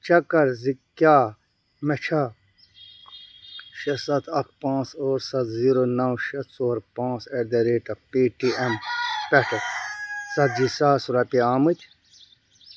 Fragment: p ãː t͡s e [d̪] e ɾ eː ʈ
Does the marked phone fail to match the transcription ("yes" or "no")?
no